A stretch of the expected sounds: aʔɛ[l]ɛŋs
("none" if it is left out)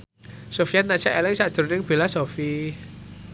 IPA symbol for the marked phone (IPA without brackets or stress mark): l